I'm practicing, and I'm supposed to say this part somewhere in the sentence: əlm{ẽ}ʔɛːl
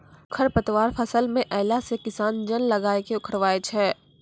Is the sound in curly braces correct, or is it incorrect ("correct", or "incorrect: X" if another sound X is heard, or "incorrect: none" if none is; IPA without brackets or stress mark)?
correct